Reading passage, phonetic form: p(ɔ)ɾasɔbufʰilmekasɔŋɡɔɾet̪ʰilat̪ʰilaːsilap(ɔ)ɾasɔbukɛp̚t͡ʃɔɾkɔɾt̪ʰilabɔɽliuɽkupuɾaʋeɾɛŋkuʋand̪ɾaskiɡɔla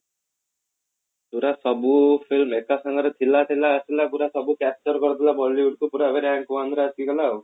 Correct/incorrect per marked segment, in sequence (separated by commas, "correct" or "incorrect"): incorrect, incorrect